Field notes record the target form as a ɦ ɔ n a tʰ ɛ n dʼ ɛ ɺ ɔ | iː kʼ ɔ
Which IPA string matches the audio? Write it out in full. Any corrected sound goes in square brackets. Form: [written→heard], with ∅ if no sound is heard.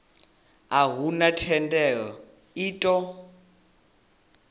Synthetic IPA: a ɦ [ɔ→u] n a tʰ ɛ n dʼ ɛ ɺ ɔ | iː [kʼ→tʼ] ɔ